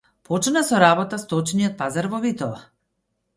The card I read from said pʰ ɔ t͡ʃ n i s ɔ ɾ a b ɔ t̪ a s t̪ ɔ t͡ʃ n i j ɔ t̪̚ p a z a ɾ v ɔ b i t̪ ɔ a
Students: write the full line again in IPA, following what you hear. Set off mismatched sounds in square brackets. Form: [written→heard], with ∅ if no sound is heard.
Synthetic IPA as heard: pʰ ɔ t͡ʃ n [i→a] s ɔ ɾ a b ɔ t̪ a s t̪ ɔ t͡ʃ n i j ɔ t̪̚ p a z a ɾ v ɔ [b→v] i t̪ ɔ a